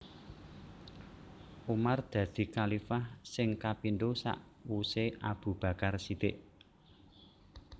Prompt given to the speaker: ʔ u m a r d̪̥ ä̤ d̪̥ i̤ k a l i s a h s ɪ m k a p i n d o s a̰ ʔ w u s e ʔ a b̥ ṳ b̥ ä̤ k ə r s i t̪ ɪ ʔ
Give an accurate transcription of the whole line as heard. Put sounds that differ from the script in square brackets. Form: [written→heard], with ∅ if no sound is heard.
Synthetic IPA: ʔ u m a r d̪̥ ä̤ d̪̥ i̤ k a l i [s→f] a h s ɪ [m→ŋ] k a p i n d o s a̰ ʔ w u s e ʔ a b̥ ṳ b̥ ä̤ k [ə→a] r s i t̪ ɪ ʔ